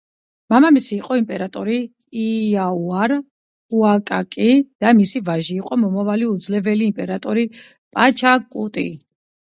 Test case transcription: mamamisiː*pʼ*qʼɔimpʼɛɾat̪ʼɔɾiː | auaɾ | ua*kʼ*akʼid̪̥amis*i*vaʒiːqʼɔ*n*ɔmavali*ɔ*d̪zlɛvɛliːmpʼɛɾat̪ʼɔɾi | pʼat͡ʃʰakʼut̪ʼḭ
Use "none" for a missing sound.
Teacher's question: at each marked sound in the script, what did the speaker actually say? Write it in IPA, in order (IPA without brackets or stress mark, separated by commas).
none, kʼ, i, m, u